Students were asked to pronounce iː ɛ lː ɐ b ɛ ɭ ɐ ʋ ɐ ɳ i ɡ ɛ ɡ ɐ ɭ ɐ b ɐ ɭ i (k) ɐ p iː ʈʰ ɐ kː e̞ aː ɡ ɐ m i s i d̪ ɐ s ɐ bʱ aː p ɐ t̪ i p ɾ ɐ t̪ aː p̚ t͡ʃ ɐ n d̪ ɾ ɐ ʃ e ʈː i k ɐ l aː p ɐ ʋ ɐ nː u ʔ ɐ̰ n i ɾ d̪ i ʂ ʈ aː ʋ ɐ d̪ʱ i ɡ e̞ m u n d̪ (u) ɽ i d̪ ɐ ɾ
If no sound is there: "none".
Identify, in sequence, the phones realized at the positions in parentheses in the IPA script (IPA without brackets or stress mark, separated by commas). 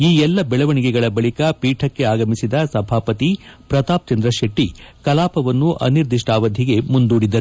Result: k, uː